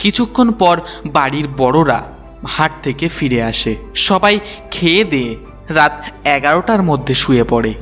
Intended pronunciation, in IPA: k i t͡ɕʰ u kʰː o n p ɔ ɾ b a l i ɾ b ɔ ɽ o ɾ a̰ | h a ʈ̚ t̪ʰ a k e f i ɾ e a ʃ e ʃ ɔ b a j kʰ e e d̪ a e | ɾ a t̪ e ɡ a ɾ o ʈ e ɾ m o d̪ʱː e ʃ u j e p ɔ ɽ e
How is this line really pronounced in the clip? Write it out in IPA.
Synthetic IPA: k i t͡ɕʰ u kʰː o n p ɔ ɾ b a ɽ i ɾ b ɔ ɽ o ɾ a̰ | h a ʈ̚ t̪ʰ e k e f i ɾ e a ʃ e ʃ ɔ b a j kʰ e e d̪ e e | ɾ a t̪ ɛ ɡ a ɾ o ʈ a ɾ m o d̪ʱː e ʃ u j e p ɔ ɽ e